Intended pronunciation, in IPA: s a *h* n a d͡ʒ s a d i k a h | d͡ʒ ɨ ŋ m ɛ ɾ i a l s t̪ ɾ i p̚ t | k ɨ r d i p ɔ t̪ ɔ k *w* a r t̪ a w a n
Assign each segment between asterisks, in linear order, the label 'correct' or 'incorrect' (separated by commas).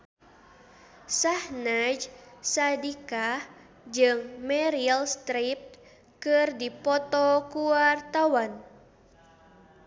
correct, incorrect